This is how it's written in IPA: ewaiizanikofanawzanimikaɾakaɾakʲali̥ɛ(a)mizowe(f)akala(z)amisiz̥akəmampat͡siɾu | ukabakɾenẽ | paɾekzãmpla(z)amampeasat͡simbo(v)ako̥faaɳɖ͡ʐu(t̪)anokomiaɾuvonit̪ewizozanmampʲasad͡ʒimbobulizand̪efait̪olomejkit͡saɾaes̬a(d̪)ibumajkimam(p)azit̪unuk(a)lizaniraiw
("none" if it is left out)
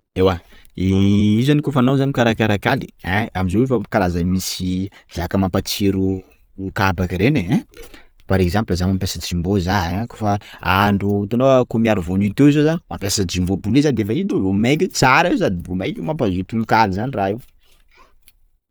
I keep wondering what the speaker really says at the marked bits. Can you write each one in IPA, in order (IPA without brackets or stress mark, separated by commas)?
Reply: a, f, z, z, z, t̪, d̪, p, a